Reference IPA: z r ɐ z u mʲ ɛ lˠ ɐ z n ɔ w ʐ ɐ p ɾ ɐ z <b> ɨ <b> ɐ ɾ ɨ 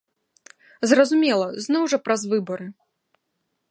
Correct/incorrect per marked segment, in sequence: incorrect: v, correct

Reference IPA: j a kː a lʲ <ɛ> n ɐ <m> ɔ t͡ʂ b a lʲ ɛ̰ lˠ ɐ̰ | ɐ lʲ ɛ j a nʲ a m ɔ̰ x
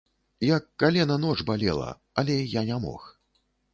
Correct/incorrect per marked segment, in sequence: correct, incorrect: n

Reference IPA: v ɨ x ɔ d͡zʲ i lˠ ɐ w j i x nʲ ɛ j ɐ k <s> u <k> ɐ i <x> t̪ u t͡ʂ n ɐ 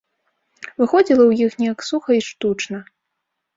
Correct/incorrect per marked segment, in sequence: correct, incorrect: x, incorrect: ʂ

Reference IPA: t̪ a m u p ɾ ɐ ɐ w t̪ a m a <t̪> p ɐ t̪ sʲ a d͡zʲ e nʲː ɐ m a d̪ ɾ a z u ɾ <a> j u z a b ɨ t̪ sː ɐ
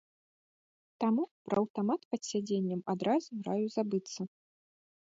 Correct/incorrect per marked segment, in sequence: correct, correct

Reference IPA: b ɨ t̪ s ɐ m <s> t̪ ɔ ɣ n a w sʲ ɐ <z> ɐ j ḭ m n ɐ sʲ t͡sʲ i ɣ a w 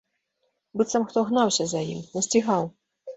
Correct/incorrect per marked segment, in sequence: incorrect: x, correct

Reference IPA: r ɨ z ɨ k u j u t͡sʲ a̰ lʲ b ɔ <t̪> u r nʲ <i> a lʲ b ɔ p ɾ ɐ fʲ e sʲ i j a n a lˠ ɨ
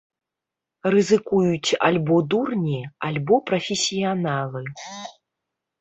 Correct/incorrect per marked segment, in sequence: incorrect: d̪, correct

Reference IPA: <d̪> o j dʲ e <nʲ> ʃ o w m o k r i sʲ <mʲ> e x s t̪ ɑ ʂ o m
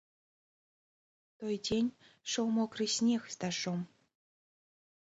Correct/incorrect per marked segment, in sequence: incorrect: t̪, correct, incorrect: nʲ

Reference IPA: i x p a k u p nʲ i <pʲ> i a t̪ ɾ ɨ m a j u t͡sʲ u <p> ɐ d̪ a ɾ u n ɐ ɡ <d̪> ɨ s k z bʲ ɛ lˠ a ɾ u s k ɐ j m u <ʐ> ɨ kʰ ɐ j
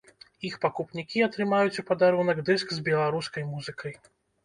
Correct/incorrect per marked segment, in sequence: incorrect: kʲ, correct, correct, incorrect: z

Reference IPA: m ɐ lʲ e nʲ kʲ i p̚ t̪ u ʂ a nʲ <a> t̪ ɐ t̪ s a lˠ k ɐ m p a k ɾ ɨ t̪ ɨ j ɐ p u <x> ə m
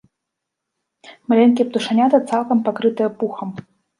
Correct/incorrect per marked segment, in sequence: correct, correct

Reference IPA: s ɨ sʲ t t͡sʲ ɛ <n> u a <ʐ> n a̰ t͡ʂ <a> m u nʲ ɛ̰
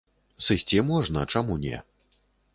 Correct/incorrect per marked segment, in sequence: incorrect: m, correct, correct

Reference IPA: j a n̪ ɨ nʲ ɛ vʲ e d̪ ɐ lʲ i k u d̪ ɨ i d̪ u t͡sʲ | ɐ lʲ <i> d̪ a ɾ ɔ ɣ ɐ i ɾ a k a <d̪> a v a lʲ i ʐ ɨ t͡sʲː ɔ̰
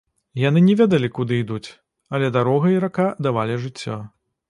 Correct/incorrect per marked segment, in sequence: incorrect: ɛ, correct

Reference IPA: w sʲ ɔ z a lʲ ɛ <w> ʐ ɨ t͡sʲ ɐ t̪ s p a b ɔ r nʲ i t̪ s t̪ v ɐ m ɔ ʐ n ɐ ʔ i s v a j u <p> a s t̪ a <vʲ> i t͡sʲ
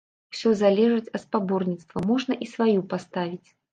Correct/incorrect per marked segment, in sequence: incorrect: none, correct, correct

